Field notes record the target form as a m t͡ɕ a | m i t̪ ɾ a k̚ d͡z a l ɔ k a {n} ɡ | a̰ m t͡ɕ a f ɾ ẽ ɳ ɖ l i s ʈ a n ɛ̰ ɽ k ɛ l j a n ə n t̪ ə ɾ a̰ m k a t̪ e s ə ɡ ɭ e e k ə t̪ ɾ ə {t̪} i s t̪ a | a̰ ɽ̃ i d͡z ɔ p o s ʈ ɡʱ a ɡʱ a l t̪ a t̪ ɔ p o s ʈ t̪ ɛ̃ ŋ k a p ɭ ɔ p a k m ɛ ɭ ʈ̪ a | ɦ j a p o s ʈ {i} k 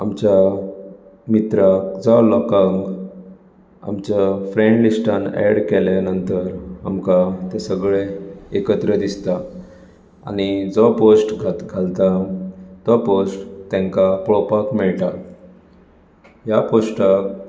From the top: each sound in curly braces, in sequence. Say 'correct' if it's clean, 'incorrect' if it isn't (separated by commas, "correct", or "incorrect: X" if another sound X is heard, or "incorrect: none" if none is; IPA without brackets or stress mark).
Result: incorrect: ŋ, incorrect: d̪, incorrect: a